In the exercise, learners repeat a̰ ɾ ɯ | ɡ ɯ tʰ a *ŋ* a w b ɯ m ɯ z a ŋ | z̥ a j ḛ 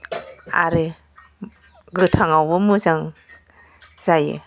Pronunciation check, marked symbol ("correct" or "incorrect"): correct